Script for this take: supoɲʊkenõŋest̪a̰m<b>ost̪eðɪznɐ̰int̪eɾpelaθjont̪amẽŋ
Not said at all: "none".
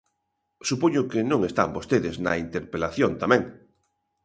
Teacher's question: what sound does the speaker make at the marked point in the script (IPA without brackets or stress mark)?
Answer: b